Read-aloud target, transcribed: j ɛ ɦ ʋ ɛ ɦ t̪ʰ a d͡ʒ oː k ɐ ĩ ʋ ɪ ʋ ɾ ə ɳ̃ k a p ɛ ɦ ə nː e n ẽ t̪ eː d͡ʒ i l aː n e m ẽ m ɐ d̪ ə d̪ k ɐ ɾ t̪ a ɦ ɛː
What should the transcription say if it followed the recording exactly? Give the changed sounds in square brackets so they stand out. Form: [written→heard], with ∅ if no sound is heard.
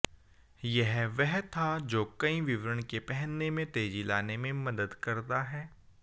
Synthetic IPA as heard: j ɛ ɦ ʋ ɛ ɦ t̪ʰ a d͡ʒ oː k ɐ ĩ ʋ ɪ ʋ ɾ ə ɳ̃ k [a→e] p ɛ ɦ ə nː e [n→m] ẽ t̪ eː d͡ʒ i l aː n e m ẽ m ɐ d̪ ə d̪ k ɐ ɾ t̪ a ɦ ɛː